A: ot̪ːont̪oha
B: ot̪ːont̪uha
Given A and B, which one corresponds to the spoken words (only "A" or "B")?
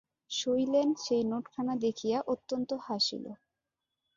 A